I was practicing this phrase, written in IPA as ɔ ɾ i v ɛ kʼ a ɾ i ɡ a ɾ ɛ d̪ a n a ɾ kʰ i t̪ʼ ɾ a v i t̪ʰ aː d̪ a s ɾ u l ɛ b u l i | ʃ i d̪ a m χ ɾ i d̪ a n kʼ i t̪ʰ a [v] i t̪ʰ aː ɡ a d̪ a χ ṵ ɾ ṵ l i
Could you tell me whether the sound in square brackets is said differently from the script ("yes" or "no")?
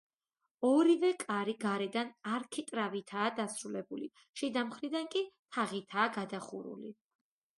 yes